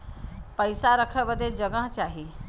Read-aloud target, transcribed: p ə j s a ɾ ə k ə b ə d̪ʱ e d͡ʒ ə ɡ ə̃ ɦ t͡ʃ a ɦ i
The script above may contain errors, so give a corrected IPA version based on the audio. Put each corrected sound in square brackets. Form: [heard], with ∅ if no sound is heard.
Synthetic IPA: p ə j s a ɾ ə [kʰ] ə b ə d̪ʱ e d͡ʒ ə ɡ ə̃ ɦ t͡ʃ a ɦ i